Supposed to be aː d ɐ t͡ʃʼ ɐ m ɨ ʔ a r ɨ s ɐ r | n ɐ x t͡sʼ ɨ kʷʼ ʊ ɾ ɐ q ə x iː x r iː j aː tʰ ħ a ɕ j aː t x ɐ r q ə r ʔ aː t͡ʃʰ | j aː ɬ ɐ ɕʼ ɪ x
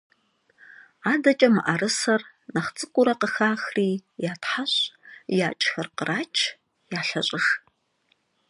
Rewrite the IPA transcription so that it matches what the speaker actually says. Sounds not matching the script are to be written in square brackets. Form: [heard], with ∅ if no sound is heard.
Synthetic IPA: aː d ɐ t͡ʃʼ ɐ m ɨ ʔ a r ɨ s ɐ r | n ɐ [χ] t͡sʼ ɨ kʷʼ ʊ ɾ ɐ q ə x [aː] x r iː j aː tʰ ħ a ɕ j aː [t͡ʃʼ] x ɐ r q ə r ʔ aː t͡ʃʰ | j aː ɬ ɐ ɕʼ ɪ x